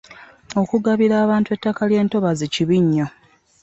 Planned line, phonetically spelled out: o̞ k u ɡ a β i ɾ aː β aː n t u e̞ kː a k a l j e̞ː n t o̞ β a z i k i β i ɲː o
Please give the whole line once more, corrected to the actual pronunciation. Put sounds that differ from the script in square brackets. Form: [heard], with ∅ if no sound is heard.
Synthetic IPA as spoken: o̞ k u ɡ a β i ɾ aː β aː n t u e̞ [tː] a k a l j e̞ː n t o̞ β a z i [c] i β i ɲː o